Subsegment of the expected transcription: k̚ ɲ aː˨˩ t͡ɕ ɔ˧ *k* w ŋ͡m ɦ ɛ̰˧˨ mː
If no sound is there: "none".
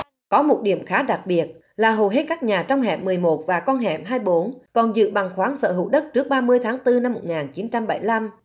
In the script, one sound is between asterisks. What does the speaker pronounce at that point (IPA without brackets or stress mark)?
none